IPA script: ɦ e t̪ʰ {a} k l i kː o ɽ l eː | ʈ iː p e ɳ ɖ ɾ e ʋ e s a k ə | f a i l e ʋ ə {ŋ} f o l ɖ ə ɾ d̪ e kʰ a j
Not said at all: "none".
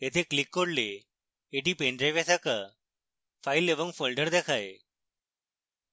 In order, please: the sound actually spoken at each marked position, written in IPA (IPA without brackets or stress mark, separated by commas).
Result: e, ŋ